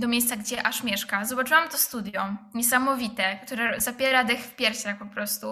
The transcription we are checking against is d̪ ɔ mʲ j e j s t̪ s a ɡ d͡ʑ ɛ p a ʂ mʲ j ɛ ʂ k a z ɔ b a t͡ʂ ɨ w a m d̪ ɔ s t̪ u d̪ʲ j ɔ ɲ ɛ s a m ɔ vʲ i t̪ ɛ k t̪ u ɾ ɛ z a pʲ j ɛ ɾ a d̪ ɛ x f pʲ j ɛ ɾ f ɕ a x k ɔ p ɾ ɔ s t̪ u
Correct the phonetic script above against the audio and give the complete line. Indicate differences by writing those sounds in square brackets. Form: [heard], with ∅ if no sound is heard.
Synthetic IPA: d̪ ɔ mʲ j e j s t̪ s a ɡ d͡ʑ ɛ [ʔ] a ʂ mʲ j ɛ ʂ k a z ɔ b a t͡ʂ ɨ w a m [t̪] ɔ s t̪ u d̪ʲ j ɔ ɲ ɛ s a m ɔ vʲ i t̪ ɛ k t̪ u ɾ ɛ z a pʲ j ɛ ɾ a d̪ ɛ x f pʲ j ɛ ɾ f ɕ a x [p] ɔ p ɾ ɔ s t̪ u